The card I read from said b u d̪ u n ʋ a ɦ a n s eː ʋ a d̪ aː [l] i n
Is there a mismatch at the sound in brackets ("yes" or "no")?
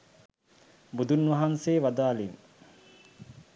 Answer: no